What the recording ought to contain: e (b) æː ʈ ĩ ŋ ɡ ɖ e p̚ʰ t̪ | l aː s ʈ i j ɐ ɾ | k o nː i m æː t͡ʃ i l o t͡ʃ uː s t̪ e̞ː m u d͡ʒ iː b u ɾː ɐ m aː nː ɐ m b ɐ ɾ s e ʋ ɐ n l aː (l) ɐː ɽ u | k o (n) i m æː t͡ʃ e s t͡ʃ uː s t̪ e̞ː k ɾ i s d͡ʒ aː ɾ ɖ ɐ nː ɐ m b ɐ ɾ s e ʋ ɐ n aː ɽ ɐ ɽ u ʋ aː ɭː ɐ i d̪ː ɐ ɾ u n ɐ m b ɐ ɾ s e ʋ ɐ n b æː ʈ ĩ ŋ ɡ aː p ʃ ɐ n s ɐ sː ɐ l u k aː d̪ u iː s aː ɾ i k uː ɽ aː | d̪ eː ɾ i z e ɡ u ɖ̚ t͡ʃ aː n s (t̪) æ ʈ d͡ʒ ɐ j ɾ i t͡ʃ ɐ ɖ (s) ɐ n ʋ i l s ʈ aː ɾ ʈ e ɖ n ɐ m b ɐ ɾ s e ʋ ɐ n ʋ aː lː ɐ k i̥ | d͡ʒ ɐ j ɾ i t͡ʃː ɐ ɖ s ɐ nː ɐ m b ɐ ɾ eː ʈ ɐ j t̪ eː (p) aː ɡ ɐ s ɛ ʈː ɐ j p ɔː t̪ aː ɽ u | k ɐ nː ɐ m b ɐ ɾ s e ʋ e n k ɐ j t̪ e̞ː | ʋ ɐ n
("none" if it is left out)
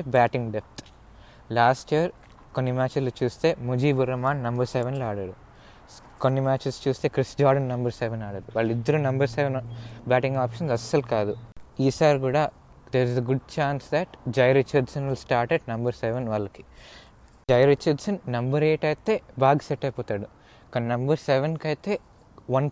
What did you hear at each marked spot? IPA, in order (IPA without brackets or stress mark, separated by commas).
b, ɽ, nː, d̪, s, b